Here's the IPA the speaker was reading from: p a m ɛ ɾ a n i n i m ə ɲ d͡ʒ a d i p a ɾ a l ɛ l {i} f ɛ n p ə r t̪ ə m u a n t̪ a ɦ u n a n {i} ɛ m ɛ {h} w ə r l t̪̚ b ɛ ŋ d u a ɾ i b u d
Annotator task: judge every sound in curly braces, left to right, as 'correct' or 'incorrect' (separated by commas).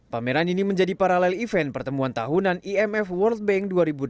correct, correct, incorrect